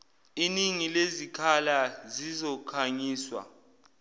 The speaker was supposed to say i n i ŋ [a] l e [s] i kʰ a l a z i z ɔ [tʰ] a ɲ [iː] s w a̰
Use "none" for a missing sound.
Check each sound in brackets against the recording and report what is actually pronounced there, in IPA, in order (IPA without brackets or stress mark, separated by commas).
i, z, kʰ, iː